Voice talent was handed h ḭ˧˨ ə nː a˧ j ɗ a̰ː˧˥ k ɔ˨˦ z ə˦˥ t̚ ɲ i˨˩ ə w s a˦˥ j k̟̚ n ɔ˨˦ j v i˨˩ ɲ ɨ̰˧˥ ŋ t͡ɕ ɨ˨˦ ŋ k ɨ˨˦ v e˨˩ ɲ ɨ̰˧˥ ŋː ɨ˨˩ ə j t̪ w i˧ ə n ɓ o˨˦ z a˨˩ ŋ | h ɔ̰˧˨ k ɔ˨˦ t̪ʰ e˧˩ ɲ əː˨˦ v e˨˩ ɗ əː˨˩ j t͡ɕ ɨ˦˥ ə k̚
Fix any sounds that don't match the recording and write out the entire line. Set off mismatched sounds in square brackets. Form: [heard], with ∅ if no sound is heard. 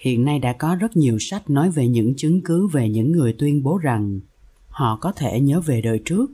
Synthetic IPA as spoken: h ḭ˧˨ ə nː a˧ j ɗ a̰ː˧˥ k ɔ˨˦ z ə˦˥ t̚ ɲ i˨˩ ə w s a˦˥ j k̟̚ n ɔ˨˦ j v [e˨˩] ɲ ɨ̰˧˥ ŋ t͡ɕ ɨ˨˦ ŋ k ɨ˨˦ v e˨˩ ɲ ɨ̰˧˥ ŋː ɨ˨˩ ə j t̪ w i˧ ə n ɓ o˨˦ z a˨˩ ŋ | h ɔ̰˧˨ k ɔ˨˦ t̪ʰ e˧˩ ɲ əː˨˦ v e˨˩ ɗ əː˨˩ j t͡ɕ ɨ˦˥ ə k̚